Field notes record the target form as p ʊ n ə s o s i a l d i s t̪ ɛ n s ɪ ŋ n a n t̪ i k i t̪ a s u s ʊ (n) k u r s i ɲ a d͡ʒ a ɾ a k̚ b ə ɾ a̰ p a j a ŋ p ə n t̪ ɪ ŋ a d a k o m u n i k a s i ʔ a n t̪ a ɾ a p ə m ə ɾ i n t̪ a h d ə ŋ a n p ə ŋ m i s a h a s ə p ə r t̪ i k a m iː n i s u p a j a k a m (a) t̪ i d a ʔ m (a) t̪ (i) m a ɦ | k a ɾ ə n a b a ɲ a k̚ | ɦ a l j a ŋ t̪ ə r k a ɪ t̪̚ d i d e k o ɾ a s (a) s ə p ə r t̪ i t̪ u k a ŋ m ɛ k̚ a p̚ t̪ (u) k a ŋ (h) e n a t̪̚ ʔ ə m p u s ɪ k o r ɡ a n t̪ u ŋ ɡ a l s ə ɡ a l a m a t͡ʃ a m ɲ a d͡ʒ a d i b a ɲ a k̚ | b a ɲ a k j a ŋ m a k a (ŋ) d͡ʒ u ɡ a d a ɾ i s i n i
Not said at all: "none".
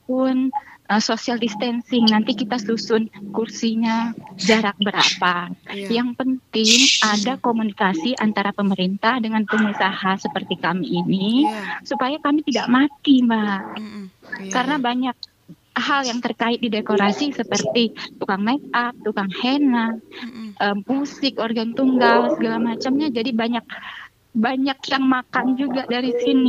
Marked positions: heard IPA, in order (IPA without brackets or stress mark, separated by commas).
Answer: n, i, a, i, i, u, h, n